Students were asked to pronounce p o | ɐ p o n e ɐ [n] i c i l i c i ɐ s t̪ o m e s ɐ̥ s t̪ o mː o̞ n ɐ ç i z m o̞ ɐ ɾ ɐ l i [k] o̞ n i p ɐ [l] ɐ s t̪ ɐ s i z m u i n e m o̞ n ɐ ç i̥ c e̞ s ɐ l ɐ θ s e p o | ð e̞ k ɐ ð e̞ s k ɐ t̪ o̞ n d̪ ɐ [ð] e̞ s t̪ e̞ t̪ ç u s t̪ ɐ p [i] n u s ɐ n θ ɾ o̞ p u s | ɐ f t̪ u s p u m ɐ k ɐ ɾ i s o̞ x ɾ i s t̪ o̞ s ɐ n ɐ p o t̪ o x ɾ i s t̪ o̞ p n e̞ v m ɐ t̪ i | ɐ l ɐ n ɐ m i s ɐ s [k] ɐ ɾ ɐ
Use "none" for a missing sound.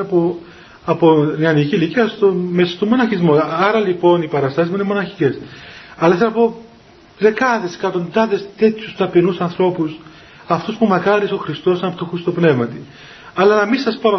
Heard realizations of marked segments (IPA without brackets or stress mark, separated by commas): n, p, ɾ, ð, i, p